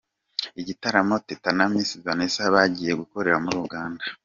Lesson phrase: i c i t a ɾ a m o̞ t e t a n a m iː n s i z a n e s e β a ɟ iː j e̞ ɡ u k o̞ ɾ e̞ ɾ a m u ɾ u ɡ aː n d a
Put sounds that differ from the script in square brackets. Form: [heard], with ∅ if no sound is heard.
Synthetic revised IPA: i [ɟ] i t a ɾ a m o̞ t e t a n a m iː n s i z a n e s [a] β a ɟ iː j e̞ ɡ u k o̞ ɾ e̞ ɾ a m u ɾ u ɡ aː n d a